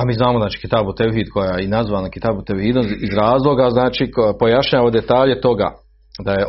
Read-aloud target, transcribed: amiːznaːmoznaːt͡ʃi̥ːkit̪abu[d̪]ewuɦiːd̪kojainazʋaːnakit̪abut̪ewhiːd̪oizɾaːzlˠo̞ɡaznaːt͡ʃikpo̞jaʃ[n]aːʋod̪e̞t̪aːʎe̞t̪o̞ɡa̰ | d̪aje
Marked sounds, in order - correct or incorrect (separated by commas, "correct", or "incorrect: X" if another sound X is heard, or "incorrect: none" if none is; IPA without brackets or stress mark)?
incorrect: t̪, incorrect: ɲ